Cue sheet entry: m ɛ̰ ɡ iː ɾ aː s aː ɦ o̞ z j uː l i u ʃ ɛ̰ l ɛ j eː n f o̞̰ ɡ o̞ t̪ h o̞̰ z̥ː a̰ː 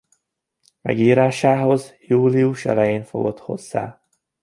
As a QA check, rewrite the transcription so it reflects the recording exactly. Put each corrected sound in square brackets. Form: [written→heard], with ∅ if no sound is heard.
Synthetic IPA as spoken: m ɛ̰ ɡ iː ɾ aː [s→ʃ] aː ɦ o̞ z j uː l i u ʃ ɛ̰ l ɛ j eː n f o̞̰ ɡ o̞ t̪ h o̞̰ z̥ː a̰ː